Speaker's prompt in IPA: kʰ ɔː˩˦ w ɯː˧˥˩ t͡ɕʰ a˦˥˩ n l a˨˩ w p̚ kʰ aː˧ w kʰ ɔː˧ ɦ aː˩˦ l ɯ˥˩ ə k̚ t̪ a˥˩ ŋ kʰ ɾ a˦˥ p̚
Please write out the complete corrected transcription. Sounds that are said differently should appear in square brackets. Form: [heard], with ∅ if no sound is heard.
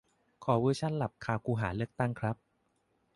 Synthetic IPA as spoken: kʰ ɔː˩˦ w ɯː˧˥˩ t͡ɕʰ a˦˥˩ n l a˨˩ [∅] p̚ kʰ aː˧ w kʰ [uː˧] ɦ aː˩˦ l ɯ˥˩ ə k̚ t̪ a˥˩ ŋ kʰ ɾ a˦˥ p̚